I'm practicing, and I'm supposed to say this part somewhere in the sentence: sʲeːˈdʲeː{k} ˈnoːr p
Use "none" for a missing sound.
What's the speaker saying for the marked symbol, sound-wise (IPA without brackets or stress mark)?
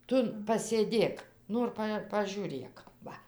k